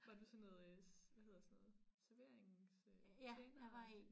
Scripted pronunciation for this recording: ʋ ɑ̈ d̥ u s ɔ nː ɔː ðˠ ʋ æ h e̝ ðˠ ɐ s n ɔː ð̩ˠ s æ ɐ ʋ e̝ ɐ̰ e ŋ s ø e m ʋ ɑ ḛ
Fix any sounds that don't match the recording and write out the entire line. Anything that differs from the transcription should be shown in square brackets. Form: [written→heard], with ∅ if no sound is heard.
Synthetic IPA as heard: ʋ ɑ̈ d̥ u s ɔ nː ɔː ðˠ ʋ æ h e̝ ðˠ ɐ s n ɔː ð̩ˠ s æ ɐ ʋ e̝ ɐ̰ e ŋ s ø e [m→n] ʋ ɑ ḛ